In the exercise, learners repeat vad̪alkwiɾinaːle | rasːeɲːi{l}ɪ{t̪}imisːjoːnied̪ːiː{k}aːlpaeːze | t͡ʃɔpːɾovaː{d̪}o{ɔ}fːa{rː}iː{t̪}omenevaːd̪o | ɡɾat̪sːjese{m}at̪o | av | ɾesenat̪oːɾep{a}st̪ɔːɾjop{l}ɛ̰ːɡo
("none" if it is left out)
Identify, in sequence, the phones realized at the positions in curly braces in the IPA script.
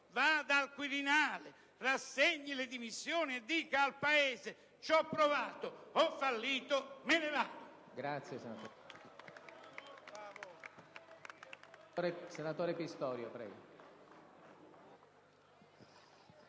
l, d̪, k, t̪, ɔ, lː, t̪, n, i, ɾ

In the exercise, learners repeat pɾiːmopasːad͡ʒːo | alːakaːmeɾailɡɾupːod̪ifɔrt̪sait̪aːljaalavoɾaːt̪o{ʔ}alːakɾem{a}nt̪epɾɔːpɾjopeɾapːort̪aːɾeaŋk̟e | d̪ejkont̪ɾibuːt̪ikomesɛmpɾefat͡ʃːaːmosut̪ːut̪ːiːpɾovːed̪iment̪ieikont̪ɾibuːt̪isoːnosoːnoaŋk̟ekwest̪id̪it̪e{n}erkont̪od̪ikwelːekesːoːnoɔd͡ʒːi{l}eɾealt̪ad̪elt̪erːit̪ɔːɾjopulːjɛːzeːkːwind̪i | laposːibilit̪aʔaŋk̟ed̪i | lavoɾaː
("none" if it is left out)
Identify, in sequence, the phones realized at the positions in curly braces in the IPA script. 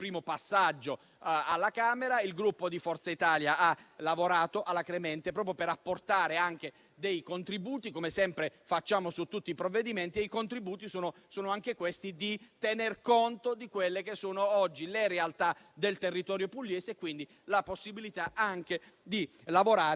ʔ, ɛ, n, l

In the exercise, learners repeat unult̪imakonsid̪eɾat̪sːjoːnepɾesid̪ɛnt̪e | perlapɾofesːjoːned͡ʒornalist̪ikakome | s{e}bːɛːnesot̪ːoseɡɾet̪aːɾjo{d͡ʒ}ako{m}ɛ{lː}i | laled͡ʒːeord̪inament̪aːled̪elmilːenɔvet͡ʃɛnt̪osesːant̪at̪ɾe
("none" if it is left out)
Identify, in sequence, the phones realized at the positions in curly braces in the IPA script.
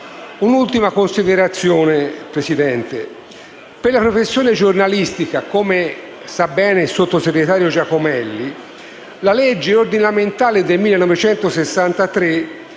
a, d͡ʒ, m, lː

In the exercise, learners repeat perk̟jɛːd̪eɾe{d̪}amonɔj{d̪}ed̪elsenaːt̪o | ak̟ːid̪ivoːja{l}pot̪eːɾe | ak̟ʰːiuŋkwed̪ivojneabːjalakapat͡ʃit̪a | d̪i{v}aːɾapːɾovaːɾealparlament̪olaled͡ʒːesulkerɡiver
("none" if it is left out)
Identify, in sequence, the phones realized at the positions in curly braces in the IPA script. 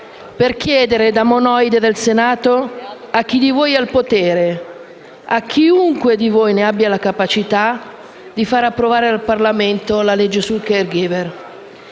d̪, d̪, l, f

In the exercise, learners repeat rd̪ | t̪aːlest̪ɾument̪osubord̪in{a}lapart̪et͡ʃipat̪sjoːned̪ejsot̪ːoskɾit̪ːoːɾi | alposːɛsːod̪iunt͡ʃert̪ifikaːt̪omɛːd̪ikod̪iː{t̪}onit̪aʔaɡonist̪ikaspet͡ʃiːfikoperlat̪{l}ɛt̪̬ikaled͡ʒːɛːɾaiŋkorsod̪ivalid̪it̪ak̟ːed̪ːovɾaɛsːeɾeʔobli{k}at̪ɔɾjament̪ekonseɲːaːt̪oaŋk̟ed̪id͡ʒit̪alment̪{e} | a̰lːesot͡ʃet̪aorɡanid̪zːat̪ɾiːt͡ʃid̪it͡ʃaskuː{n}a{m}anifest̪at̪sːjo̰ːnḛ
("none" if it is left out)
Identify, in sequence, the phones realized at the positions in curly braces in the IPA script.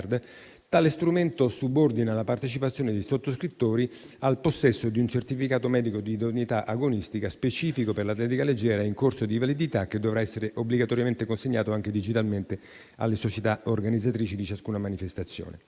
a, d̪, l, ɡ, e, n, m

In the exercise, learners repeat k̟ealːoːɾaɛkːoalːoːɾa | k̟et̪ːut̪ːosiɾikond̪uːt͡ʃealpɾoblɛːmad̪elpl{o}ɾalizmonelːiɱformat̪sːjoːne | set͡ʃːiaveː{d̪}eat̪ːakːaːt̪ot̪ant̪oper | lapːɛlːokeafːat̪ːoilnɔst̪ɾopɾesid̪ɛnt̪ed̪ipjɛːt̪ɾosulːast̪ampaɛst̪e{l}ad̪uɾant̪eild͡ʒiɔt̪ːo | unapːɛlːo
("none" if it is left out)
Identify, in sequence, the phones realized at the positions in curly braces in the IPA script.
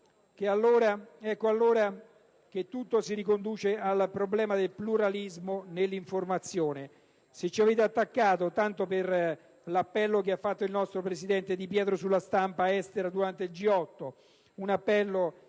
u, t̪, ɾ

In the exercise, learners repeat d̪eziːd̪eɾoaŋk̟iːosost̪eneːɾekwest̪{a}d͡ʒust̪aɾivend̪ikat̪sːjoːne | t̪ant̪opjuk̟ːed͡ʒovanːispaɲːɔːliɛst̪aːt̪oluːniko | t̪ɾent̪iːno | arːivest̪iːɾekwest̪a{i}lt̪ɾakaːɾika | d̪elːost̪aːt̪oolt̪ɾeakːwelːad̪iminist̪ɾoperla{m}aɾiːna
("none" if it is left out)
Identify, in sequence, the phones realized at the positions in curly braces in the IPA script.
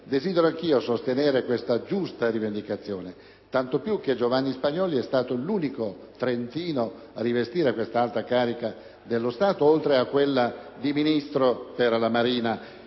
a, a, m

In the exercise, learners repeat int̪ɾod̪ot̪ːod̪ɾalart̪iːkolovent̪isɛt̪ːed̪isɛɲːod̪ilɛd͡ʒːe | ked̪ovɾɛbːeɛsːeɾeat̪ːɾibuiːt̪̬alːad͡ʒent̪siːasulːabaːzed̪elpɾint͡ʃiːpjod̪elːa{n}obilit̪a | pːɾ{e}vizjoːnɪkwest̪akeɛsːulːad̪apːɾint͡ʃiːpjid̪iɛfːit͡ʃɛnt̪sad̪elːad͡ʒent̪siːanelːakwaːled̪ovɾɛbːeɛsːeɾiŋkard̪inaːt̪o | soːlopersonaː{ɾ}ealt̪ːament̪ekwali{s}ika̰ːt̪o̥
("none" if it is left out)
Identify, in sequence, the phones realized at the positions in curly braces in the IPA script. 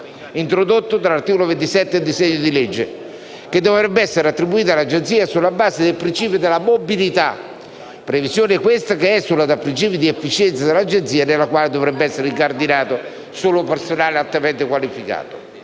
m, e, l, f

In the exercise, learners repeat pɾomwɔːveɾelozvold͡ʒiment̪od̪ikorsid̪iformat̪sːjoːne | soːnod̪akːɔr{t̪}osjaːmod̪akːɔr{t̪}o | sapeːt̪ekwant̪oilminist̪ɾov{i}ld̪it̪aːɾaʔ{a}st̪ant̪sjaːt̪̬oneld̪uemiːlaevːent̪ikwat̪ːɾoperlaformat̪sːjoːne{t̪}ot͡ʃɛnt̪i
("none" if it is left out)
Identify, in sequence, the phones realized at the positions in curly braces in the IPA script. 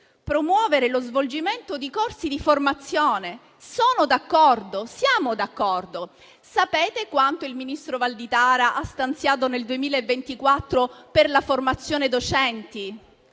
d̪, d̪, a, a, d̪

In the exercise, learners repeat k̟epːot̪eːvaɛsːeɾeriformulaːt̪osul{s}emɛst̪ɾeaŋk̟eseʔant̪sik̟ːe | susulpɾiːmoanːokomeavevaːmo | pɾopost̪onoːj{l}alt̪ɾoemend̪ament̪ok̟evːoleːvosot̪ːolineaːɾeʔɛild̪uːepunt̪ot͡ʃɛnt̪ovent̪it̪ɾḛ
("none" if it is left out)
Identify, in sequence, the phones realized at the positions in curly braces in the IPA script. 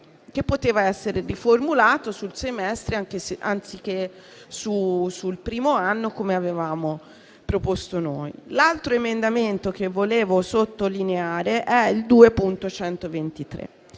s, l

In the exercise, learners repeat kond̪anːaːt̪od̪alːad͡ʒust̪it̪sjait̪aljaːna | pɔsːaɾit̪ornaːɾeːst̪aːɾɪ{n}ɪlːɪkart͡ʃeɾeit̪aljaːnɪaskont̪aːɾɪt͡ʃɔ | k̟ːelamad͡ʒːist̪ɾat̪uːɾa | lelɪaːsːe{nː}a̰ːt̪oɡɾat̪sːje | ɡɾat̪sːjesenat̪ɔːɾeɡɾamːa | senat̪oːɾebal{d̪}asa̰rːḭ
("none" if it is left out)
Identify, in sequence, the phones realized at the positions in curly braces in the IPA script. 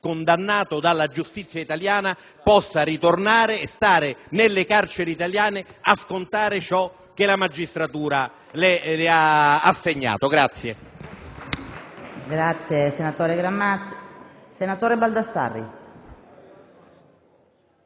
n, ɲː, d̪

